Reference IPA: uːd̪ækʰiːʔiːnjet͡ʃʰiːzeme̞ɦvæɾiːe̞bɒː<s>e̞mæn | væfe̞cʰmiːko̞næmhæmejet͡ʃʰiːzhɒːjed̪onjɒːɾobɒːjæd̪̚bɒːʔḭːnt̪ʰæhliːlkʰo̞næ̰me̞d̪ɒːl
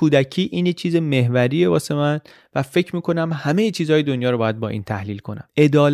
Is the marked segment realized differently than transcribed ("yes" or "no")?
no